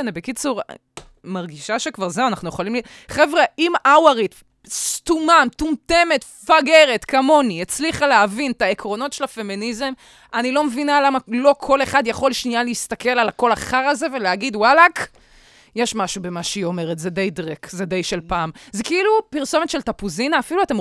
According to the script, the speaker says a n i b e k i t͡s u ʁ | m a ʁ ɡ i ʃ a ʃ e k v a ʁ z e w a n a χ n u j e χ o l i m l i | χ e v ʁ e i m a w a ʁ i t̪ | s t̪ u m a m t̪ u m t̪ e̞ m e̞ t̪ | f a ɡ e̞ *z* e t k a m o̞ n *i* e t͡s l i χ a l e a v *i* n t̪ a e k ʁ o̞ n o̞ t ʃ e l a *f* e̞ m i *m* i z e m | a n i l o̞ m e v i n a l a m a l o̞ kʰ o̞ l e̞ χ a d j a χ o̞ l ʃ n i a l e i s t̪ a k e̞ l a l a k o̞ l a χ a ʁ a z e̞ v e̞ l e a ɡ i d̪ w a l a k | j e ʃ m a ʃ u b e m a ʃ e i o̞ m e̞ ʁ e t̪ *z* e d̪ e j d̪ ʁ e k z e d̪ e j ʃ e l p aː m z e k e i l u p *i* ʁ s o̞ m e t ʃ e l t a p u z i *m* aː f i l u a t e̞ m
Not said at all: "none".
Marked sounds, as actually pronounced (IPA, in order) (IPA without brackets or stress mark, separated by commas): ʁ, i, i, f, n, z, i, n